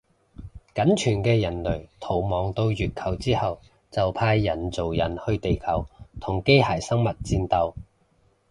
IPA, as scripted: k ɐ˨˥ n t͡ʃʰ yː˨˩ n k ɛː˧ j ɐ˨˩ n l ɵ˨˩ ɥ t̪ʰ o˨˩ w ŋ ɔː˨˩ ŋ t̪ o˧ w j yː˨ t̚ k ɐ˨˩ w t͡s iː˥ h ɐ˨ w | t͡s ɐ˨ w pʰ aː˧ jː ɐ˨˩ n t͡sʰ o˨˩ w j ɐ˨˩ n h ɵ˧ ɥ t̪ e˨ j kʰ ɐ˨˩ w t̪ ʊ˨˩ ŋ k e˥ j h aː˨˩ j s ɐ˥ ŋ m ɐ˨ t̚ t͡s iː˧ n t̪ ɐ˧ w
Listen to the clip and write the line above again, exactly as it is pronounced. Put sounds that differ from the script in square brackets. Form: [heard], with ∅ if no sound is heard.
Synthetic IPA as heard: k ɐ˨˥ n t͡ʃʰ yː˨˩ n k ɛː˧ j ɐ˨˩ n l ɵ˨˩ ɥ t̪ʰ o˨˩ w [m] ɔː˨˩ ŋ t̪ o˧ w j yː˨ t̚ [kʰ] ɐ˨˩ w t͡s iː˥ h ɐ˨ w | t͡s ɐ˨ w pʰ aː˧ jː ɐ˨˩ n [t͡s] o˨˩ w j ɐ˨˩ n h ɵ˧ ɥ t̪ e˨ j kʰ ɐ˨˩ w [t̪ʰ] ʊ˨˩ ŋ k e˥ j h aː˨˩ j s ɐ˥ ŋ m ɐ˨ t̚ t͡s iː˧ n t̪ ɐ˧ w

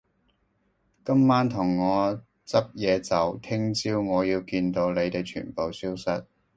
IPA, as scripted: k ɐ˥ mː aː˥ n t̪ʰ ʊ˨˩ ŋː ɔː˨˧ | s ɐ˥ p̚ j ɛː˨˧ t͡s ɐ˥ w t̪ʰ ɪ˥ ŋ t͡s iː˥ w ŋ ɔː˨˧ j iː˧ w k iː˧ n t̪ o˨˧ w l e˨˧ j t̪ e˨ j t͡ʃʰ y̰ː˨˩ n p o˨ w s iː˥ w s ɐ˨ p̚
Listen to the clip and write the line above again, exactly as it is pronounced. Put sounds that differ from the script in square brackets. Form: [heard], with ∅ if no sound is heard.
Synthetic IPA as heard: k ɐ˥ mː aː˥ n t̪ʰ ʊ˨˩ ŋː ɔː˨˧ | [t͡s] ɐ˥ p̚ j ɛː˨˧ t͡s [ɐ˨] w t̪ʰ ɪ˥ ŋ t͡s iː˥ w ŋ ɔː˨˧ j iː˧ w k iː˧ n t̪ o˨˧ w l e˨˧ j t̪ e˨ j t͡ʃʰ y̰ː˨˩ n p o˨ w s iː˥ w s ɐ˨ [t̚]

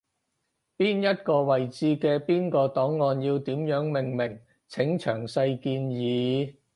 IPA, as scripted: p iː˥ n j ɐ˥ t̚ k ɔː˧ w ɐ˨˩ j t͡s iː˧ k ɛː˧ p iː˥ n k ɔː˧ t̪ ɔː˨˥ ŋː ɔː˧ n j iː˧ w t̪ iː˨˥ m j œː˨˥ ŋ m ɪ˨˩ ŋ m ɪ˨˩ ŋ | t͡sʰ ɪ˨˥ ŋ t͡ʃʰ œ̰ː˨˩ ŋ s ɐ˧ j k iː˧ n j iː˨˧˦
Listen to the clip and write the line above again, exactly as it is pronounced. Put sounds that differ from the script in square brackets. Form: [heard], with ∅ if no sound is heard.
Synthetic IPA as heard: p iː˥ n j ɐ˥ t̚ k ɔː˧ w ɐ˨˩ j t͡s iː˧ k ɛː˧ p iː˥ n k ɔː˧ t̪ ɔː˨˥ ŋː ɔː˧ n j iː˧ w t̪ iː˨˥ m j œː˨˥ ŋ m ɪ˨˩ ŋ m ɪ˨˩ ŋ | t͡sʰ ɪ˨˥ ŋ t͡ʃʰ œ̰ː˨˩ ŋ s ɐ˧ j k iː˧ n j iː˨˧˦

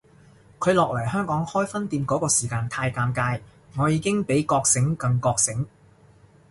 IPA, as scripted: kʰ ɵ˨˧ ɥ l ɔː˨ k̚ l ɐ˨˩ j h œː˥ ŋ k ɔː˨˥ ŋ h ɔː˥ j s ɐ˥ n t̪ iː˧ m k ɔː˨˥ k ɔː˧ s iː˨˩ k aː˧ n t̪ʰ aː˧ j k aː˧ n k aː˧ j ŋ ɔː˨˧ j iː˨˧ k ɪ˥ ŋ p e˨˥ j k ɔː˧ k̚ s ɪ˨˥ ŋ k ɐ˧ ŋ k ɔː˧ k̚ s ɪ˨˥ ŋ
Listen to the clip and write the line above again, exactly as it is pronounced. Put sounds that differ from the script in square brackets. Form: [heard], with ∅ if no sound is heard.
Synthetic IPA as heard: kʰ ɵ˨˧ ɥ l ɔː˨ k̚ l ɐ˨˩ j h œː˥ ŋ k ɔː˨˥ ŋ h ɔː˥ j [f] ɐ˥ n t̪ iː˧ m k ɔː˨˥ k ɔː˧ s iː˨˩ k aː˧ n t̪ʰ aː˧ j k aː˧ [m] k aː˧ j ŋ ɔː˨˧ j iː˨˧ k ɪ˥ ŋ p e˨˥ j k ɔː˧ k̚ s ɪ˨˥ ŋ k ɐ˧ ŋ k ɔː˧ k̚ s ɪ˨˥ ŋ

